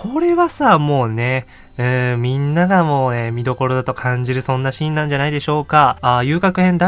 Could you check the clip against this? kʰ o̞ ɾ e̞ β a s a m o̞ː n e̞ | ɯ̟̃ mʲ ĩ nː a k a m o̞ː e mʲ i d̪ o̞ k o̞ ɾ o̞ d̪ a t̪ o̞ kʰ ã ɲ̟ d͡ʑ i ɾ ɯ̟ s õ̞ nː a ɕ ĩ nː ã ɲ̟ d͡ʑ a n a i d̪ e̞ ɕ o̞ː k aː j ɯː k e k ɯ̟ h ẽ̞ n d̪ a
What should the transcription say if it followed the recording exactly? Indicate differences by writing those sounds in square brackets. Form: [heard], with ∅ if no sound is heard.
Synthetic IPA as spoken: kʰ o̞ ɾ e̞ β a s a m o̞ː n e̞ | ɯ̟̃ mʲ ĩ nː a [ɡ] a m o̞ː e mʲ i d̪ o̞ k o̞ ɾ o̞ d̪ a t̪ o̞ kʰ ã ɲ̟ d͡ʑ i ɾ ɯ̟ s õ̞ nː a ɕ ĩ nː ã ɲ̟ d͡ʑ a n a i d̪ e̞ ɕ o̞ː k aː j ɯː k [a] k ɯ̟ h ẽ̞ n d̪ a